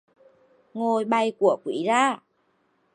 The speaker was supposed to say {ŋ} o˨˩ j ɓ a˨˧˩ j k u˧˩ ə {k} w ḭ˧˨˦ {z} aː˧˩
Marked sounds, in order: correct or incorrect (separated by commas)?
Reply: correct, correct, correct